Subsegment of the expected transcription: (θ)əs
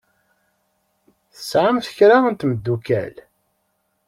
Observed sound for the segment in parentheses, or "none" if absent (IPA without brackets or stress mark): θ